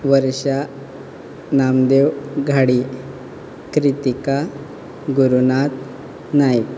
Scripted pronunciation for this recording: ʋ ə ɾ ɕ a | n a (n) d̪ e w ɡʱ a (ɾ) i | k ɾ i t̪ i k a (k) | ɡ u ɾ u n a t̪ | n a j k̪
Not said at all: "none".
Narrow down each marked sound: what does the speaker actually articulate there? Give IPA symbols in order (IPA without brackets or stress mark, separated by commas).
m, ɽ, none